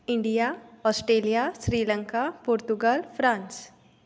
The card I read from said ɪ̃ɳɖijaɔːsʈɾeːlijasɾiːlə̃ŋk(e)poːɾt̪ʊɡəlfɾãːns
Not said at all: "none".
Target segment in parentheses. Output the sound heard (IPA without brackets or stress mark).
a